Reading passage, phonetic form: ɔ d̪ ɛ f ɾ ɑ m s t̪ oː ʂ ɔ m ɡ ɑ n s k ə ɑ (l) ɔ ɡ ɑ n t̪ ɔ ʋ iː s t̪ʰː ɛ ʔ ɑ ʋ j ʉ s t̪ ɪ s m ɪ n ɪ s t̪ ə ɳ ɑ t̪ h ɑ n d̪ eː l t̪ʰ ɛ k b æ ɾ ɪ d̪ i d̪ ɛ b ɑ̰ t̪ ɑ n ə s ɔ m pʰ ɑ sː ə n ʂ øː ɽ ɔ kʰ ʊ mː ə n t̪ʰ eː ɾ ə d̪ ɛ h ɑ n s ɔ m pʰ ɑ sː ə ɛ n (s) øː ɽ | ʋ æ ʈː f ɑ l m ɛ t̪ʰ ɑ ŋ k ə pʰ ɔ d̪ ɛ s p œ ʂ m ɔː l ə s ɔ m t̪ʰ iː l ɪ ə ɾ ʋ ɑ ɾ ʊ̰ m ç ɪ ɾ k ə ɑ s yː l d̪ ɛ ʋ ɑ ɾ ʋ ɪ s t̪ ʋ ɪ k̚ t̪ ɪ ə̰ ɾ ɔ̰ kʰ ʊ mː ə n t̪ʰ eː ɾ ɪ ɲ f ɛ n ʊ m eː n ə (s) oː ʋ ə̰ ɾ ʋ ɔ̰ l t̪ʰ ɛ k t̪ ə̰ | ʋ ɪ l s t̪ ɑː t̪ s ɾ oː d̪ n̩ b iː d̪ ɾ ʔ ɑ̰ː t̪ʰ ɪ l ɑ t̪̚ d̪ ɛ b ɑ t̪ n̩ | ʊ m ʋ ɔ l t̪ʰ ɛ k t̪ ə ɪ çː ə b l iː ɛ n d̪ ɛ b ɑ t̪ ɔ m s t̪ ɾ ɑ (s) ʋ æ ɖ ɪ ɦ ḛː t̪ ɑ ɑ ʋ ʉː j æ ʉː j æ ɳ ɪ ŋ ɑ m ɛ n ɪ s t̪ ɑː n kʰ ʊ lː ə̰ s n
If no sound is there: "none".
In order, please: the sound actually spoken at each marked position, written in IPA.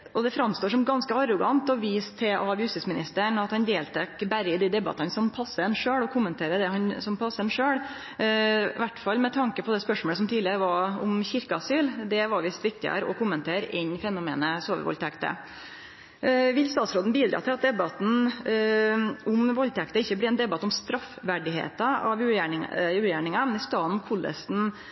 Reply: ɾ, ʂ, s, f

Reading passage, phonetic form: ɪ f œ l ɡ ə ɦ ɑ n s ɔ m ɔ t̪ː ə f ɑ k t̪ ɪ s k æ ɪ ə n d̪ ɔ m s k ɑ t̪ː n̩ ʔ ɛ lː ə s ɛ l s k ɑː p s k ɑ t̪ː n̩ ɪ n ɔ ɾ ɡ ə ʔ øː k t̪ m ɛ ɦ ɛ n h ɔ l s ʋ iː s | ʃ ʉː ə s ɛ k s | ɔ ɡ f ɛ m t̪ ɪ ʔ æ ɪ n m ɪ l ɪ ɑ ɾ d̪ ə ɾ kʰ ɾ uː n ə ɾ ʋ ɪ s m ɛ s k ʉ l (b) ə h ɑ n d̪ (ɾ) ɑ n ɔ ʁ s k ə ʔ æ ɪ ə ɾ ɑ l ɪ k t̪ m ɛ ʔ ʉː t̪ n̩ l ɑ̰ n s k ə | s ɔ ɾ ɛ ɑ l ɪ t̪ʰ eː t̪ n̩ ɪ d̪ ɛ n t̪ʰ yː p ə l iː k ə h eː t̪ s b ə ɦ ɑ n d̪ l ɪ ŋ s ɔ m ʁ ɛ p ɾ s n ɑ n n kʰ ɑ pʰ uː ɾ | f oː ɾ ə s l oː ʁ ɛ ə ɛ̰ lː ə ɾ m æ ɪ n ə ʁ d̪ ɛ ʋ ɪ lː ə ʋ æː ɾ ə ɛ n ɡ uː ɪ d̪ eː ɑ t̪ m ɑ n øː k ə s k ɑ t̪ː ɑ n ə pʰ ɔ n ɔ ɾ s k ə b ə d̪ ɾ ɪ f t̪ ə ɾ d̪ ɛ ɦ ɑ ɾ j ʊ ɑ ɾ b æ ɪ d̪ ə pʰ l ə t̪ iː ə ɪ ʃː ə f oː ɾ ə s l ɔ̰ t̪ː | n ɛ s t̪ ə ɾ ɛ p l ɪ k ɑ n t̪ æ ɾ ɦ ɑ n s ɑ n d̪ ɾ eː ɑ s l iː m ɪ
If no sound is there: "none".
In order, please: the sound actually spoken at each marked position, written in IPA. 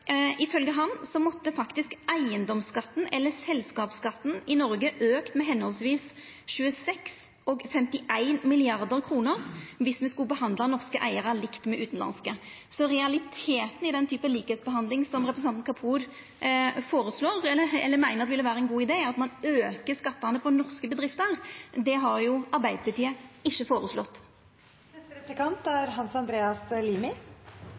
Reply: b, l

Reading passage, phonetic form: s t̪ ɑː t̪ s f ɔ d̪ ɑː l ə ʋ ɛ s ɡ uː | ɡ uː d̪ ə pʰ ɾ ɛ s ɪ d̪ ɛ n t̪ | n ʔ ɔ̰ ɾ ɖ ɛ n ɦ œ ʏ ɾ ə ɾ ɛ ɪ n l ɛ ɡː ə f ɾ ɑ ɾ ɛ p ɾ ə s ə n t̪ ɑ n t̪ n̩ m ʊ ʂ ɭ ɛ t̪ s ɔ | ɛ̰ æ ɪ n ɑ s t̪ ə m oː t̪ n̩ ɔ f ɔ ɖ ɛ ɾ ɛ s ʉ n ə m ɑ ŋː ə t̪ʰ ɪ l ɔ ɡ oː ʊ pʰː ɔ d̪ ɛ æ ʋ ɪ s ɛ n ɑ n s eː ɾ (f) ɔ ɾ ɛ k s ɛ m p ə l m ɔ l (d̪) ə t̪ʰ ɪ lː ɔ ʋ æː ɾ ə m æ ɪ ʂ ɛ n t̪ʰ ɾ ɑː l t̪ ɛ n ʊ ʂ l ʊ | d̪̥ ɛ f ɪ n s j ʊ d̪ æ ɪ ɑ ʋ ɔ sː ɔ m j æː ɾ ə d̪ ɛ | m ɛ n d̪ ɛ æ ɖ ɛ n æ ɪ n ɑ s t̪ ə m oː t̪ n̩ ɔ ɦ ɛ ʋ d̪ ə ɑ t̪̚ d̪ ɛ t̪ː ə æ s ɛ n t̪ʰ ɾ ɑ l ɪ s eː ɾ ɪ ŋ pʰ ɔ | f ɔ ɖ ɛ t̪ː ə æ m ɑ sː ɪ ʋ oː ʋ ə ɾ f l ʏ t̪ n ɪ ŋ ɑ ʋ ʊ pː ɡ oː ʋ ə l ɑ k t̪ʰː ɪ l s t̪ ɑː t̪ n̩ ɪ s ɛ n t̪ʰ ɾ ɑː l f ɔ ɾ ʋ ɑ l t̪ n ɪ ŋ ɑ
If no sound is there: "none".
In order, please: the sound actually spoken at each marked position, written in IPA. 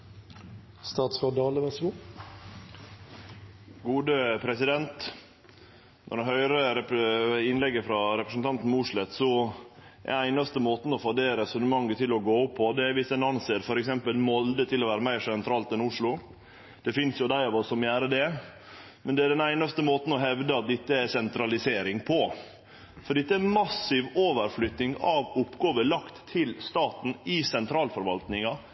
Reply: f, d̪

